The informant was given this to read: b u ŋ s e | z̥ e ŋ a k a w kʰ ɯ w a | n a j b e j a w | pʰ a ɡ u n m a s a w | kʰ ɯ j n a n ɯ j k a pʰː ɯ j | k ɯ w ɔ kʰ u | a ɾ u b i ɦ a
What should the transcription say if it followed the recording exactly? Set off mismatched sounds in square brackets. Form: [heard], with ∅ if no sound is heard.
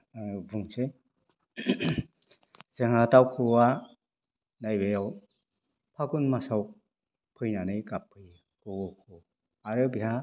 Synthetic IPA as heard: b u ŋ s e | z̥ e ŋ a [t] a w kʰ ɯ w a | n a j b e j a w | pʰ a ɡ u n m a s a w | [pʰ] ɯ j n a n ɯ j k a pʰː ɯ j | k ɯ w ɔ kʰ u | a ɾ [ɯ] b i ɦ a